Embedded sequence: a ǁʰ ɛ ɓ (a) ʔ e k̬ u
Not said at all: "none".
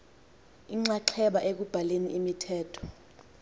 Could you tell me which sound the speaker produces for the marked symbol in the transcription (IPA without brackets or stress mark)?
a